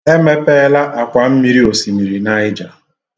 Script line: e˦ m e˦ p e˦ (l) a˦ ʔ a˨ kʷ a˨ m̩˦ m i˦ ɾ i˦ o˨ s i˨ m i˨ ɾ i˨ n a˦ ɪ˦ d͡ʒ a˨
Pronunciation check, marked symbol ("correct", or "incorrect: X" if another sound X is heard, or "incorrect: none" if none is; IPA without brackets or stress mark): correct